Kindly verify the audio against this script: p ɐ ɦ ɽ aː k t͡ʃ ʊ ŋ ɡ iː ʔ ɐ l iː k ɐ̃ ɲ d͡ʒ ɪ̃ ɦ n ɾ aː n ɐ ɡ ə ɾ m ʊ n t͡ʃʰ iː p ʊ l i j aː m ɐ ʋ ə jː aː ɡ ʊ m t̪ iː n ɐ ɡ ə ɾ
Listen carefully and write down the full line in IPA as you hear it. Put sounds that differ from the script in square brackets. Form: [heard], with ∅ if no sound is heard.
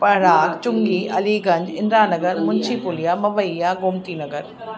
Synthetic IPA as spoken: p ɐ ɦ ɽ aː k t͡ʃ ʊ ŋ ɡ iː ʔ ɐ l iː [ɡ] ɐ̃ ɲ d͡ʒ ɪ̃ [∅] n ɾ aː n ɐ ɡ ə ɾ m ʊ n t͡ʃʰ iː p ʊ l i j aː m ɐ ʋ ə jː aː ɡ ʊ m t̪ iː n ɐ ɡ ə ɾ